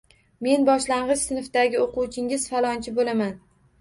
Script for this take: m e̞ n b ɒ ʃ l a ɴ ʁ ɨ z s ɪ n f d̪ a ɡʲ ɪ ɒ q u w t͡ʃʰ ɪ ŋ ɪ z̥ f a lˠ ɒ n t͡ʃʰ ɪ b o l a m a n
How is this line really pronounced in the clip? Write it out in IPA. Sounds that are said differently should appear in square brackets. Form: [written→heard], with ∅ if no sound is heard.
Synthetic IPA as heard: m e̞ n b ɒ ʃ l a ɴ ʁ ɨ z s ɪ n f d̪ a ɡʲ ɪ [ɒ→o] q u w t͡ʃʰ ɪ ŋ ɪ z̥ f a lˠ ɒ n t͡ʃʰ ɪ b o l a m a n